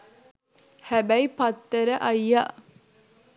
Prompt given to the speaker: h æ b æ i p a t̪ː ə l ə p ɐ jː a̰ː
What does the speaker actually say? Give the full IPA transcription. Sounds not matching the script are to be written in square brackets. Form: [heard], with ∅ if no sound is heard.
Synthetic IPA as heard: h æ b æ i p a t̪ː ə [ɾ] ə [ʔ] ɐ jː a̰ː